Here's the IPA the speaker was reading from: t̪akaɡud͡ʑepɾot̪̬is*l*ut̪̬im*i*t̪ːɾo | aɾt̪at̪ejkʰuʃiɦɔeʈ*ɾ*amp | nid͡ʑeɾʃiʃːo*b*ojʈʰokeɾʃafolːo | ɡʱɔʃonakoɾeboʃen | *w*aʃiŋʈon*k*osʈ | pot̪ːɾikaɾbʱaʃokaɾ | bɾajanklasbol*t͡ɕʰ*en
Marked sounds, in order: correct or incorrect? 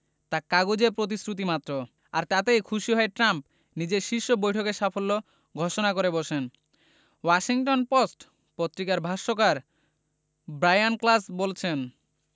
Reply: incorrect, incorrect, correct, correct, correct, incorrect, correct

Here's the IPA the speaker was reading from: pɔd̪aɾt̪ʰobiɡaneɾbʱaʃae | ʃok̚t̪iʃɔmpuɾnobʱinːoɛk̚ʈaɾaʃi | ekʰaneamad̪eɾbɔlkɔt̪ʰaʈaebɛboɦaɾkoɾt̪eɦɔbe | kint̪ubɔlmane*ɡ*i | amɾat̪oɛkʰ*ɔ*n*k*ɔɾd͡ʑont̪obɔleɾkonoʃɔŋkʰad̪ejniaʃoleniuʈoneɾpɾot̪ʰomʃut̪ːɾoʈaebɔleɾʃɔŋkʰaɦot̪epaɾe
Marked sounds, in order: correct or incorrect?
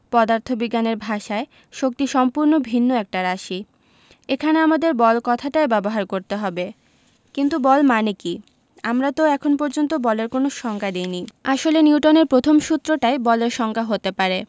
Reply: incorrect, incorrect, incorrect

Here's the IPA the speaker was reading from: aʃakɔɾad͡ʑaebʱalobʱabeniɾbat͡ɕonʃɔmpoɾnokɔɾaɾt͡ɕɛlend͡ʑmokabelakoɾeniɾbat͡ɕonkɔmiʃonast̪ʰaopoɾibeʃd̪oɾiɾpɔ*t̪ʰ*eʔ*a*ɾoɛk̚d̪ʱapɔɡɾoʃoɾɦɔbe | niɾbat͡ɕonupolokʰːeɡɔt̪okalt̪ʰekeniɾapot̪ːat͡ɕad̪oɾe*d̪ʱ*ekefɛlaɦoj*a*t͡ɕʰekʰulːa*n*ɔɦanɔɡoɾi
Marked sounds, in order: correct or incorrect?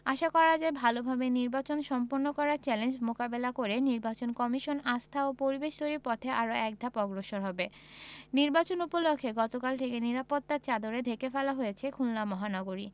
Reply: correct, correct, correct, incorrect, incorrect

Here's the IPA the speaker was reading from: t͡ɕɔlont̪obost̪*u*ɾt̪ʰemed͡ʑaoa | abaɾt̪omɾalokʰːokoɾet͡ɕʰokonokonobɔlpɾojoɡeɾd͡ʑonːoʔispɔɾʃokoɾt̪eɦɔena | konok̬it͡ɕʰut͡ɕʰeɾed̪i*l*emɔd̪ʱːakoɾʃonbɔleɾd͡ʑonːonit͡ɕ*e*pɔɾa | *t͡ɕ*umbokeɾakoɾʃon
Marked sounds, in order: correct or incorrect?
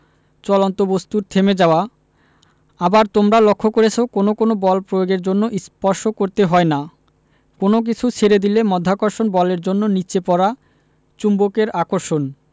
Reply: correct, correct, correct, correct

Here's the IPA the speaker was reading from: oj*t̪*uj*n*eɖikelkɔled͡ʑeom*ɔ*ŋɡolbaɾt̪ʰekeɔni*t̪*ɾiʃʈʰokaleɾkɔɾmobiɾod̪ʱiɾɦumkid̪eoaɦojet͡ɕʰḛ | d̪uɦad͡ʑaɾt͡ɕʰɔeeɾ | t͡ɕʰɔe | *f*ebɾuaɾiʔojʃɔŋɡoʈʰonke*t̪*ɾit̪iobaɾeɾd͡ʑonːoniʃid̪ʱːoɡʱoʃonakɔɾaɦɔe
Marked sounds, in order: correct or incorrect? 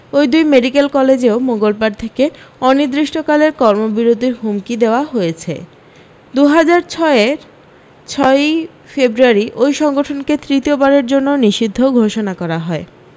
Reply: incorrect, incorrect, incorrect, incorrect, correct, correct

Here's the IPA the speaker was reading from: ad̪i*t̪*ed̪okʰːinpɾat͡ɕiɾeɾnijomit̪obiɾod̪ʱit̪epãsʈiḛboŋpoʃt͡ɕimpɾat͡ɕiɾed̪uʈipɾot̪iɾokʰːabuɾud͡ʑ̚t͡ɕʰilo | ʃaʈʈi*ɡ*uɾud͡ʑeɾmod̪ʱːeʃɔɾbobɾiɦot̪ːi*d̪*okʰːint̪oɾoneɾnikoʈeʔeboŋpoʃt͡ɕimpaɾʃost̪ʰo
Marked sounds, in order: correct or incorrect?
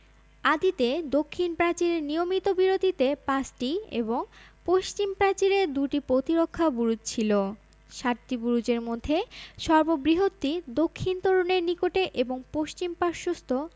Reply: correct, incorrect, correct

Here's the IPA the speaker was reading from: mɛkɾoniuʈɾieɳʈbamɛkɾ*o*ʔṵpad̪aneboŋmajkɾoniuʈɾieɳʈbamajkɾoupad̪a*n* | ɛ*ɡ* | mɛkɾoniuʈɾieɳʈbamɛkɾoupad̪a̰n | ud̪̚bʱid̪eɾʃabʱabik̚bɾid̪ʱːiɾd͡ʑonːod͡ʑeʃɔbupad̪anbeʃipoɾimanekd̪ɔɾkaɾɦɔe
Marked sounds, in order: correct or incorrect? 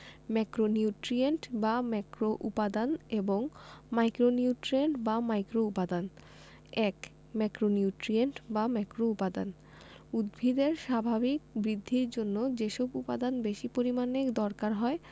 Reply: correct, correct, incorrect

